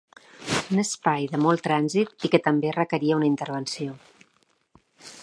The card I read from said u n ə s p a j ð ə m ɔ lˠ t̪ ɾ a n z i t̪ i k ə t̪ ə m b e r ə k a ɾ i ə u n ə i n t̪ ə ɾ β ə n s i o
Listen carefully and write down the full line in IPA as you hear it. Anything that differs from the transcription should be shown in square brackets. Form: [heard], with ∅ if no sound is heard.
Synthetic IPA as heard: u n ə s p a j ð ə m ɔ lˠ t̪ ɾ a n z i t̪ i k ə t̪ ə m b e r ə k [ə] ɾ i ə u n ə i n t̪ ə ɾ β ə n s i o